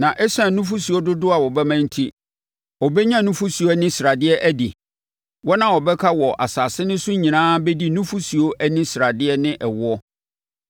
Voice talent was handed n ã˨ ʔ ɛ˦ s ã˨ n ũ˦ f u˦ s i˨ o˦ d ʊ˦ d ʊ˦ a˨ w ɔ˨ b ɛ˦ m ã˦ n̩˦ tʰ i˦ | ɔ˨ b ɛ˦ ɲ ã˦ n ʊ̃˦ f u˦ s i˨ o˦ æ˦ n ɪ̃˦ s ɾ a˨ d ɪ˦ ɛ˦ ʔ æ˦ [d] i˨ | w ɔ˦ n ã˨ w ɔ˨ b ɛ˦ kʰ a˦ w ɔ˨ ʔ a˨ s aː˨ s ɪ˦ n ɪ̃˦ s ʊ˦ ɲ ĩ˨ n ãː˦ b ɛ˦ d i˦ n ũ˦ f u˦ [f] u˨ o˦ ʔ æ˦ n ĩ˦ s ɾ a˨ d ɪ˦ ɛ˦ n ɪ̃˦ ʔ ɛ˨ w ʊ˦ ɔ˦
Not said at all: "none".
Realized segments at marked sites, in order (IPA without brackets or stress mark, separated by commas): d, s